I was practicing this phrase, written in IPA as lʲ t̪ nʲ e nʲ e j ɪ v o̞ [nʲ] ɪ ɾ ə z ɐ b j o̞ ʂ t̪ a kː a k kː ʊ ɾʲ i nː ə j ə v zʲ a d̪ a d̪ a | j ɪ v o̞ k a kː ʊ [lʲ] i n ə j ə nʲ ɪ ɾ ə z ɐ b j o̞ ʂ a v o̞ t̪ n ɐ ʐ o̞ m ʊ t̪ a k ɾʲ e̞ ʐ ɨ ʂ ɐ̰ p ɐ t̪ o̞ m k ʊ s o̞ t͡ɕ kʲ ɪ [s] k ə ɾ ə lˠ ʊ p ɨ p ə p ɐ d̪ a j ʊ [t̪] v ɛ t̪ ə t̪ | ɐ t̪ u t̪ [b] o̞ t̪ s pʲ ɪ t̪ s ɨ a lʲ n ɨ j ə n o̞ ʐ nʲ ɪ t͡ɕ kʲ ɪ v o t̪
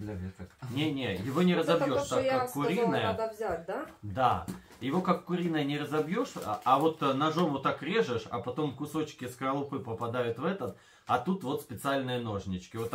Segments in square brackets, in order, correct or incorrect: correct, incorrect: ɾʲ, correct, correct, incorrect: v

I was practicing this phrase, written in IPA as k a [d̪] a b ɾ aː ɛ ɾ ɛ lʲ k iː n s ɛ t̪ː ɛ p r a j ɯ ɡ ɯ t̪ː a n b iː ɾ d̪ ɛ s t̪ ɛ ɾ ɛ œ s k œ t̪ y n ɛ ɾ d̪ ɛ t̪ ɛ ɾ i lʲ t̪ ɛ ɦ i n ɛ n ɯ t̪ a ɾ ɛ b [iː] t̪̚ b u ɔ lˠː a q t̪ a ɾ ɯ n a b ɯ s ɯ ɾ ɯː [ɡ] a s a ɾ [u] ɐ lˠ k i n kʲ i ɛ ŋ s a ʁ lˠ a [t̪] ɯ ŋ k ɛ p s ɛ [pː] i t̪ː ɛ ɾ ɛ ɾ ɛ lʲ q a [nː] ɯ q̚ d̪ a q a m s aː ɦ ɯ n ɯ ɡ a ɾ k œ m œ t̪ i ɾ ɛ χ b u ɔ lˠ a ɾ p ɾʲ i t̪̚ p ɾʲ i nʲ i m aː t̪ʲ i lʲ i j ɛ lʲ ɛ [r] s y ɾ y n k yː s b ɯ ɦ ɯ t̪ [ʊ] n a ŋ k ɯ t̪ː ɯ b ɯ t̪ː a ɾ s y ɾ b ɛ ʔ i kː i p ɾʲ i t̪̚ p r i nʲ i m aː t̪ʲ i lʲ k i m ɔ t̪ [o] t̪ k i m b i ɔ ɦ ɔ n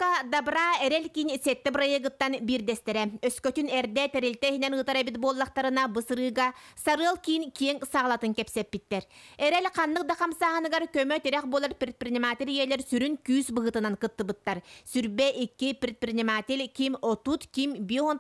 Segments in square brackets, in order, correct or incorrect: correct, incorrect: i, correct, incorrect: ɯ, correct, correct, correct, incorrect: ɾ, incorrect: ɯ, incorrect: u

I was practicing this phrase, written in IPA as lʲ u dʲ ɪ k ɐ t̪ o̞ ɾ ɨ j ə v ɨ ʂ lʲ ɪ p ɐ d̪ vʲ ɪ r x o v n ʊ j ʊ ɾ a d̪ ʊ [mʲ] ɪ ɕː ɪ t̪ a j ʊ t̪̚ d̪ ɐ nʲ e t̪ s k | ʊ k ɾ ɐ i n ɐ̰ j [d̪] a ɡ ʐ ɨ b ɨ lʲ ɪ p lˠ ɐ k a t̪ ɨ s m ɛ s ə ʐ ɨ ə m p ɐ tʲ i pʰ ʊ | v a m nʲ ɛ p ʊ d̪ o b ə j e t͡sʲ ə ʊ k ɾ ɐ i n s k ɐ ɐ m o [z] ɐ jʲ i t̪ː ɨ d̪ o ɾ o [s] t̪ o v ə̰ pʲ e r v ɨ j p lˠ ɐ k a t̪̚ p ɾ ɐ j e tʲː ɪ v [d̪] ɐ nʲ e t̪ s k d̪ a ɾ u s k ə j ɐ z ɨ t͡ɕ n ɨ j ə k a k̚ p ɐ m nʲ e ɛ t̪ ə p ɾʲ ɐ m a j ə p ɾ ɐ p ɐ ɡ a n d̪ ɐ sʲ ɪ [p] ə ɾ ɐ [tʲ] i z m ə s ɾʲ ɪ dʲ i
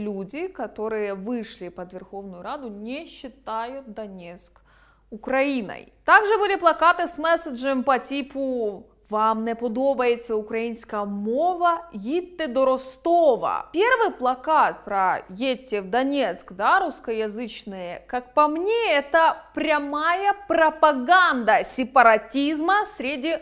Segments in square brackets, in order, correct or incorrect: incorrect: nʲ, incorrect: t̪, incorrect: v, correct, correct, correct, correct

